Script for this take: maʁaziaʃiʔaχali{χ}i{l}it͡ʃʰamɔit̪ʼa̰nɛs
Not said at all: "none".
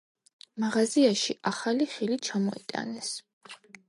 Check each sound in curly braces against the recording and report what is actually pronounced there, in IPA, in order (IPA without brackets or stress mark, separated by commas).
χ, l